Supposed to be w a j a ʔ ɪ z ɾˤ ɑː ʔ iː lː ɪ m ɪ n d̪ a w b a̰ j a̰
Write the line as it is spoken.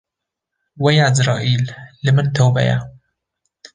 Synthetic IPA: w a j a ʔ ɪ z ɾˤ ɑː ʔ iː lː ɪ m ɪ n t̪ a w b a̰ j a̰